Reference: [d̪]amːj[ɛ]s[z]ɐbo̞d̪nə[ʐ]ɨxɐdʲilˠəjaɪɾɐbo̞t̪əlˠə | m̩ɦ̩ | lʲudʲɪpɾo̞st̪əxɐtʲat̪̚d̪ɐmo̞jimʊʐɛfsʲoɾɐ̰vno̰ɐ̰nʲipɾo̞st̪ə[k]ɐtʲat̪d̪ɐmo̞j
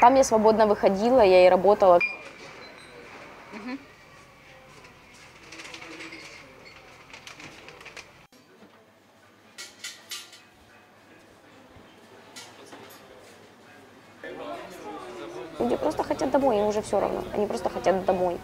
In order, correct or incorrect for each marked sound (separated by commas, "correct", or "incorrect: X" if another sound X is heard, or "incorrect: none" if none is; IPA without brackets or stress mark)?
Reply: incorrect: t̪, incorrect: a, incorrect: v, incorrect: v, incorrect: x